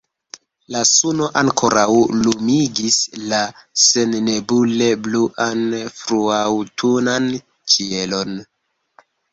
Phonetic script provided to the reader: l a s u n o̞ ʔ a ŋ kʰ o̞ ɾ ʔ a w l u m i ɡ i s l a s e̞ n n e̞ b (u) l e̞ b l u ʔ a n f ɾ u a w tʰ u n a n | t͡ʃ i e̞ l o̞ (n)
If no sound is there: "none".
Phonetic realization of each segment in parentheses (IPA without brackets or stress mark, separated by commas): u, n